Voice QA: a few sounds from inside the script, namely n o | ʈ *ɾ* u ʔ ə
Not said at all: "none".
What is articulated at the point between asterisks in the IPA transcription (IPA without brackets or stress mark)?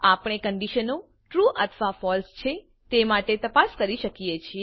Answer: ɾ